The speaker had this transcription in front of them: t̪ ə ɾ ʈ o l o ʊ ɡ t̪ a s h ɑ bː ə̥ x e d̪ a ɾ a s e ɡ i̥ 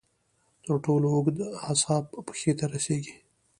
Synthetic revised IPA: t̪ ə ɾ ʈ o l o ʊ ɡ d̪ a s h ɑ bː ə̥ x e t̪ a ɾ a s e ɡ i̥